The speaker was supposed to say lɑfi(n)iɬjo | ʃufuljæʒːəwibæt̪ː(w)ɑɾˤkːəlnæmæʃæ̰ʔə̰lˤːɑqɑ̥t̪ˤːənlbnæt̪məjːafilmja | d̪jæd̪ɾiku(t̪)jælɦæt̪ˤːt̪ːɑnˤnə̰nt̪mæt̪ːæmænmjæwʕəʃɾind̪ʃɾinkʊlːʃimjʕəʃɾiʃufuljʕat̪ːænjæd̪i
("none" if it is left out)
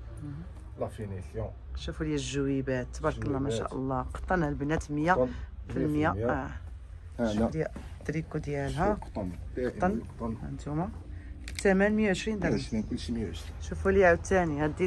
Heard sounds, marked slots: n, b, d̪

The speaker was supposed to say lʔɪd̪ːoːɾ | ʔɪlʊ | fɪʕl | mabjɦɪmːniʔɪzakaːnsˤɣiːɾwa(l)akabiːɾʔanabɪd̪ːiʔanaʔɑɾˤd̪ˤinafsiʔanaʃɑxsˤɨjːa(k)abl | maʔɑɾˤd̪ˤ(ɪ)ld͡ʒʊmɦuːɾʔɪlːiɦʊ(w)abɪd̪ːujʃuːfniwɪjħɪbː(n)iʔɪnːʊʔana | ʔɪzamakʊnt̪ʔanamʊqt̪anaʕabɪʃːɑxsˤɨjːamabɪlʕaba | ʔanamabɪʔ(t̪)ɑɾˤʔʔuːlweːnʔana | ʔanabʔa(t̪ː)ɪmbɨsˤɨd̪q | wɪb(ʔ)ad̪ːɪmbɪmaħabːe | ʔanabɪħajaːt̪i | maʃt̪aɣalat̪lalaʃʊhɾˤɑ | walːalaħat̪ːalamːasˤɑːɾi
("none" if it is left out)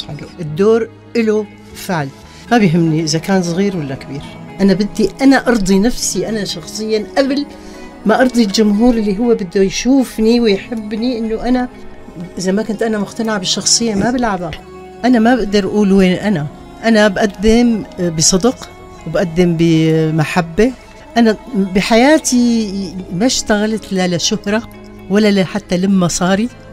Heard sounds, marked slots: lː, ʔ, i, wː, n, d̪, d̪ː, ʔ

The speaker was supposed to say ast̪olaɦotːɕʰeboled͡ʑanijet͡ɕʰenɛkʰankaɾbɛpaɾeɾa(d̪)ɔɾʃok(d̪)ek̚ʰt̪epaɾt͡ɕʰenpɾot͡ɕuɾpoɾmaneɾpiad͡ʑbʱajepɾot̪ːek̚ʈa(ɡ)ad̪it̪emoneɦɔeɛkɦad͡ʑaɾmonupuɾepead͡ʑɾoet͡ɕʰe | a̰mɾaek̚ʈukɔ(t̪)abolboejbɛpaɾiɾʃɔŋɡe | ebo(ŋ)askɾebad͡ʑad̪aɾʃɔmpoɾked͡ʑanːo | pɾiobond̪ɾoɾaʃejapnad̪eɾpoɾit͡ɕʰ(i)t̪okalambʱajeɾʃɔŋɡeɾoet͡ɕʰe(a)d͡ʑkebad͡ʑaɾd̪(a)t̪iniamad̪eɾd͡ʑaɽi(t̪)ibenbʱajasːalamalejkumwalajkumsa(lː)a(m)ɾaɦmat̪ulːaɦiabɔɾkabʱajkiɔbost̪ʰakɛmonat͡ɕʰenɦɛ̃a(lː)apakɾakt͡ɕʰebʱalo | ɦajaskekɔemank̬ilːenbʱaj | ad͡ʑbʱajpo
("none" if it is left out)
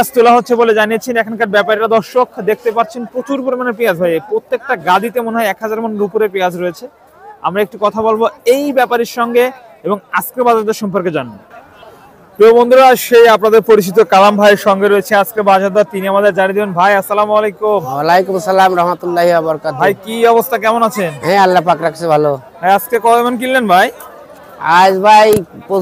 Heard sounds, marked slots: d̪, d̪, ɡ, t̪ʰ, ŋ, i, a, a, d̪, l, m, lː

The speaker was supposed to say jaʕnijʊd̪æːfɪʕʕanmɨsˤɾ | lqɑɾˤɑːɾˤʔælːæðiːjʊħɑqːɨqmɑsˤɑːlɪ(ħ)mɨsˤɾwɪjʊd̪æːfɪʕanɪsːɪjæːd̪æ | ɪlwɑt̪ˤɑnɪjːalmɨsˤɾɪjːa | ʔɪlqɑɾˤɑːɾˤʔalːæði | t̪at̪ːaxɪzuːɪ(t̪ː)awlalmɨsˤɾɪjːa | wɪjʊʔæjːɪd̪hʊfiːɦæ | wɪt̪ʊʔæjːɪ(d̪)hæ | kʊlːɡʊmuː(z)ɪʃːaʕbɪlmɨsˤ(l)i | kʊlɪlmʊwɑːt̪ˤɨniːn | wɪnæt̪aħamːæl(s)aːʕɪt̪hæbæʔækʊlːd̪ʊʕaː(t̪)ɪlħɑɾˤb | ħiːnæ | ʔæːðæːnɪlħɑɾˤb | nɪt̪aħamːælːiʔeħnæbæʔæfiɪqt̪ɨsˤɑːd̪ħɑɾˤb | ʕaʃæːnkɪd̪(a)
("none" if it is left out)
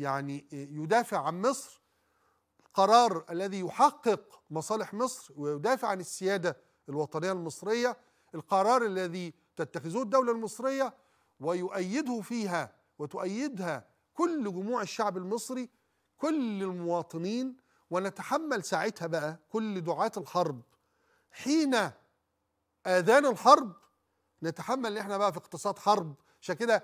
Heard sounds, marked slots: ħ, d̪ː, d̪, ʕ, ɾ, s, t̪, æ

